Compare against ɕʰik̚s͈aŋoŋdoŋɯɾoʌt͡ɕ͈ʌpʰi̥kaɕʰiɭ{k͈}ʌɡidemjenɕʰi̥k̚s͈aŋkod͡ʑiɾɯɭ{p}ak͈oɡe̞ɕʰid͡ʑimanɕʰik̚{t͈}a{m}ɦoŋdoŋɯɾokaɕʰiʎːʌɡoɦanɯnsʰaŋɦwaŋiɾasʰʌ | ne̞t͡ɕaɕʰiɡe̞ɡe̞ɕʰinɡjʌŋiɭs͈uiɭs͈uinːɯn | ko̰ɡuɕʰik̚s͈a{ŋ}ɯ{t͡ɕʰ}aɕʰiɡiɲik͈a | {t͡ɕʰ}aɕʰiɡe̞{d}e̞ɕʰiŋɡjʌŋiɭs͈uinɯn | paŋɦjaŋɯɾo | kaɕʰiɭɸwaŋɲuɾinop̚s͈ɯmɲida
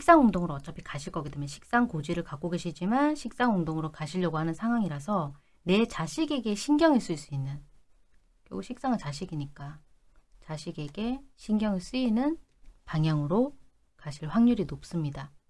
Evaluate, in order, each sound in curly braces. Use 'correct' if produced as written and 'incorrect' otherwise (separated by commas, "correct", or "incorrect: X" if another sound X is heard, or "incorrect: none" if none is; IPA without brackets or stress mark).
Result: correct, incorrect: k, incorrect: s͈, incorrect: ŋ, correct, incorrect: t͡ɕ, incorrect: t͡ɕ, incorrect: ɡ